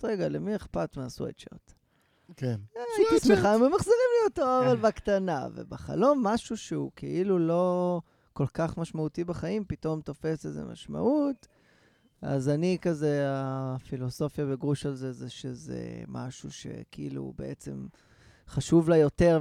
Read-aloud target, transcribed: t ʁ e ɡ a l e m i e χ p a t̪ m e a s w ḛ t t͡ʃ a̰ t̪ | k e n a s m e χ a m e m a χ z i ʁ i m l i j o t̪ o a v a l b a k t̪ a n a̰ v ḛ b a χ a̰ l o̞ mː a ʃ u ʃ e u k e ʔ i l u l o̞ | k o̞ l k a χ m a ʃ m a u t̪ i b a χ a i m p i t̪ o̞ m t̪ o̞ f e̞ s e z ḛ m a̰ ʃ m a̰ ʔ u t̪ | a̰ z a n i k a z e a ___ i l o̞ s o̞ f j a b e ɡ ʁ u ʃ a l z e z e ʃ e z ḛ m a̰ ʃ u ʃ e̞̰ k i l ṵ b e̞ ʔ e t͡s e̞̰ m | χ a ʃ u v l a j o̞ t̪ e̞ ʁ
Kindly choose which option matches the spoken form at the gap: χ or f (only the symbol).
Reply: f